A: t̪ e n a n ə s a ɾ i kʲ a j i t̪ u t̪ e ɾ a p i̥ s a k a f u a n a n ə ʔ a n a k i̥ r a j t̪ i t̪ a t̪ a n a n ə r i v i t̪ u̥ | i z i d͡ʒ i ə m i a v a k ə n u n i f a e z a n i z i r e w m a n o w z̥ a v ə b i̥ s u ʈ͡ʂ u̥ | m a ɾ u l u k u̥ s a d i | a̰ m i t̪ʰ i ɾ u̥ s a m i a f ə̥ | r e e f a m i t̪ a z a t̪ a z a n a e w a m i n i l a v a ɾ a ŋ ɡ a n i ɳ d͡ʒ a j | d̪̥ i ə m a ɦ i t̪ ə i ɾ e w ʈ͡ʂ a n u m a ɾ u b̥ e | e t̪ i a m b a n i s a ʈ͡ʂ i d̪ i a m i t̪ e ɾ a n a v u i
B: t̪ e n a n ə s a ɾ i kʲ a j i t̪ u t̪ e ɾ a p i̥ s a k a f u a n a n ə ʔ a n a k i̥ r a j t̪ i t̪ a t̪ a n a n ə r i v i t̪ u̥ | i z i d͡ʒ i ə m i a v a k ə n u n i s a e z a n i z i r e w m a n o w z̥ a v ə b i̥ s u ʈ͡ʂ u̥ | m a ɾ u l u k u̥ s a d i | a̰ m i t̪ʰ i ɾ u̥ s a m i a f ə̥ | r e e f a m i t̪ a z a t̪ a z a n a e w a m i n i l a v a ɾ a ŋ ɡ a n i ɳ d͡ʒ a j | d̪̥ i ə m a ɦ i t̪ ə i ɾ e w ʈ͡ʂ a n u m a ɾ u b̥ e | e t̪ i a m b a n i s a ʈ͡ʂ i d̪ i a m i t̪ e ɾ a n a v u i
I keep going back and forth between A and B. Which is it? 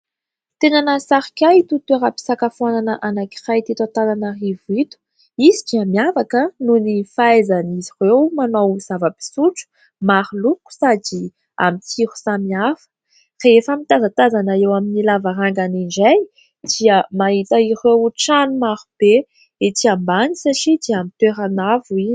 A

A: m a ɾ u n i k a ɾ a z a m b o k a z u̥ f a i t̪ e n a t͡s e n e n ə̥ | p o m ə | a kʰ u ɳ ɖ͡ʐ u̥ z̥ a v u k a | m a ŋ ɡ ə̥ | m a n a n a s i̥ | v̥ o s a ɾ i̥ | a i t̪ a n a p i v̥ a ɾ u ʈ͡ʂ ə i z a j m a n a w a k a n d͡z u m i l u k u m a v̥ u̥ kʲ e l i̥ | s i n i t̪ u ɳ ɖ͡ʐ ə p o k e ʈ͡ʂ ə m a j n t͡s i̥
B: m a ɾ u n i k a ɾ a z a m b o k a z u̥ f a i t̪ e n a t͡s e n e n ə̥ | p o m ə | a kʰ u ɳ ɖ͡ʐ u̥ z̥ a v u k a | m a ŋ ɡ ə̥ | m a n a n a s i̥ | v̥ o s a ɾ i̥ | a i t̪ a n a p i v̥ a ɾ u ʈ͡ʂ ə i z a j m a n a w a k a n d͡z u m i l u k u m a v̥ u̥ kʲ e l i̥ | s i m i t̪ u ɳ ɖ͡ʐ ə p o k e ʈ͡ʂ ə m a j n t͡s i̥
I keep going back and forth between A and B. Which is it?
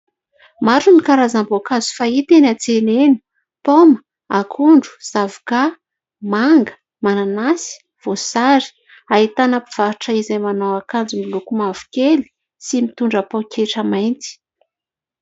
B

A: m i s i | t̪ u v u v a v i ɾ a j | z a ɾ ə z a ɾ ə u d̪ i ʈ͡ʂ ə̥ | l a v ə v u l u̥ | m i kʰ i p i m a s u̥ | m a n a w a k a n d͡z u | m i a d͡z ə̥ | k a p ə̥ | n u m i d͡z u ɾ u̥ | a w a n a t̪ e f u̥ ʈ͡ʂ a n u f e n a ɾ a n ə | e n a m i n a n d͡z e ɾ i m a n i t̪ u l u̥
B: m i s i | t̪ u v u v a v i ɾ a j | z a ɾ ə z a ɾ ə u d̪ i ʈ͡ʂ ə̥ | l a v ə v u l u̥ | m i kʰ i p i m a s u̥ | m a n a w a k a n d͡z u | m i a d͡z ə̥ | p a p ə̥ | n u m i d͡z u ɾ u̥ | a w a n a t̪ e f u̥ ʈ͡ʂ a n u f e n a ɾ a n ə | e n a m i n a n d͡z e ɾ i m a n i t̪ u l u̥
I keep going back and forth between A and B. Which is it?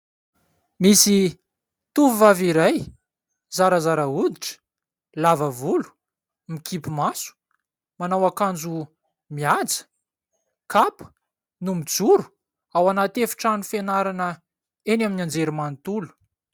A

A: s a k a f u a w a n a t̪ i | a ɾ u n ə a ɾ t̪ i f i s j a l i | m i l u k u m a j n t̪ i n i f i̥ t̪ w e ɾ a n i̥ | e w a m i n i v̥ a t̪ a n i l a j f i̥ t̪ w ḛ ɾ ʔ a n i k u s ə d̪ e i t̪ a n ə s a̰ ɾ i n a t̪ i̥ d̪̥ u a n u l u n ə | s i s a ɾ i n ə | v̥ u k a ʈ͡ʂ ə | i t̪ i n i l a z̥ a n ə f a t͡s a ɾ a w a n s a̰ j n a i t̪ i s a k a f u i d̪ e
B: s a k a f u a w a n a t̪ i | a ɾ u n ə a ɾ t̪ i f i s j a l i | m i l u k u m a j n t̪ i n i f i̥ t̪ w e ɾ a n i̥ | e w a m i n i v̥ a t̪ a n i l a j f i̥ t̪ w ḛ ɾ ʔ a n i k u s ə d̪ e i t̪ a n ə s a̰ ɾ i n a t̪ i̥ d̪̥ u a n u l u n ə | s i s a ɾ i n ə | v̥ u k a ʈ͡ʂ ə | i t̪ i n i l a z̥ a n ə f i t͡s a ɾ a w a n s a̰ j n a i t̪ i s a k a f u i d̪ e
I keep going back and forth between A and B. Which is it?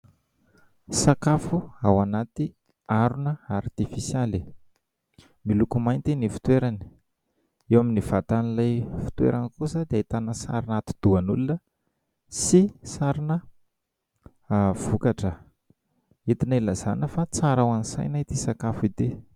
A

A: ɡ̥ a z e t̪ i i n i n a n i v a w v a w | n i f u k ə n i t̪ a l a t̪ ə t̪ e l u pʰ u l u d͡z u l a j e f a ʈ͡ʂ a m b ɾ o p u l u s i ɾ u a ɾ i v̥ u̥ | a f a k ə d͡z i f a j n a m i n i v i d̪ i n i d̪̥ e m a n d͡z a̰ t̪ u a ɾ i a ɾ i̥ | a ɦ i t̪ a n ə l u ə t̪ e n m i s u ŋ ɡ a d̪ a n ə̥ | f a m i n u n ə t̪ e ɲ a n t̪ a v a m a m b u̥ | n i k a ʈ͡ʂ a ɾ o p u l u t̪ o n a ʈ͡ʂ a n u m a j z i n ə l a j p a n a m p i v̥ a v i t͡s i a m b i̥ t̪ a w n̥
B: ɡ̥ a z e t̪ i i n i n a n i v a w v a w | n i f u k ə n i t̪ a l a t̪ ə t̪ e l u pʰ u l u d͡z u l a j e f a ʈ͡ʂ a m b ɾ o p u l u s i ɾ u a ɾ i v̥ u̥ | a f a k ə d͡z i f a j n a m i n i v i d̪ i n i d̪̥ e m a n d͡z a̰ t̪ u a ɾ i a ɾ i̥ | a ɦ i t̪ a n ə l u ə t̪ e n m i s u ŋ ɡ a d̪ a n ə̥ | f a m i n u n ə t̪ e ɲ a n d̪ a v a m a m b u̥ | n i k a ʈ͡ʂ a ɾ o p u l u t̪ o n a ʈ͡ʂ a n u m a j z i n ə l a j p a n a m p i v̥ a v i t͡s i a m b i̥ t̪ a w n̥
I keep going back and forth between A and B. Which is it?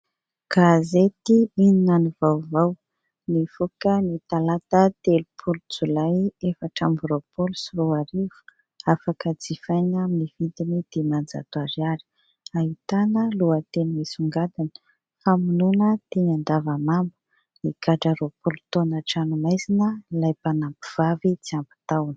B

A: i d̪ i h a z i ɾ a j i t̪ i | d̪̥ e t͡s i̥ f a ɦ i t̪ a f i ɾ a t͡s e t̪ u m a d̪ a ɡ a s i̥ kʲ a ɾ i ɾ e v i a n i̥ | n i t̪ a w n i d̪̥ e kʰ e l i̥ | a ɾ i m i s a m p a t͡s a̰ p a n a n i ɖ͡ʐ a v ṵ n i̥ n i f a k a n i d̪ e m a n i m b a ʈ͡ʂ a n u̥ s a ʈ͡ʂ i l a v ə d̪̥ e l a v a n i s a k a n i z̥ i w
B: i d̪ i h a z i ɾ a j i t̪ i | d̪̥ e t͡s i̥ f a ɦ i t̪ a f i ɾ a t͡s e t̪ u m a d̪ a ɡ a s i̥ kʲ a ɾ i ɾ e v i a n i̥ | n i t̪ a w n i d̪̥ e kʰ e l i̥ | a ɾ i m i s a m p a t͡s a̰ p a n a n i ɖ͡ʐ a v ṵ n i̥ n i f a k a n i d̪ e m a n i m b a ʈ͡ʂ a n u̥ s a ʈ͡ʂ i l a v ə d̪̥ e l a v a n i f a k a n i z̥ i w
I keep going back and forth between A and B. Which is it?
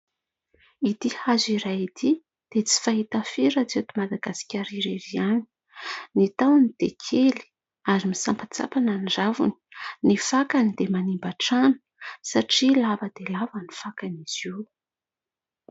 B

